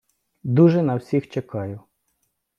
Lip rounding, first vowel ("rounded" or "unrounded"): rounded